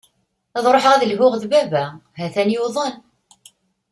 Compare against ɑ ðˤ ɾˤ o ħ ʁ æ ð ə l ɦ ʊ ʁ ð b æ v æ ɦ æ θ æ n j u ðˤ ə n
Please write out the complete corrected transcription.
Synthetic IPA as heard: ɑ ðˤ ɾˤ o ħ ʁ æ ð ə l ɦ ʊ ʁ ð b æ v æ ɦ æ θ æ n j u ðˤ ə n